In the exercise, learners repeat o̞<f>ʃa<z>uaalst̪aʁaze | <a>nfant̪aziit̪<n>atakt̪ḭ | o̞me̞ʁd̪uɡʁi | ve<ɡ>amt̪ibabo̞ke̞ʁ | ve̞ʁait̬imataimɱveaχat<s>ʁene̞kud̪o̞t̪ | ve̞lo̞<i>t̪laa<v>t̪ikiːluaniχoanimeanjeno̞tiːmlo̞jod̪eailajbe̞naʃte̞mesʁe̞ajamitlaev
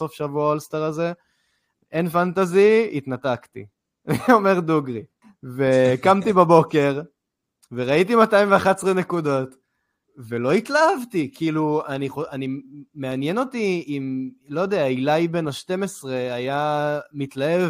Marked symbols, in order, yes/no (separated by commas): yes, no, no, yes, no, yes, yes, yes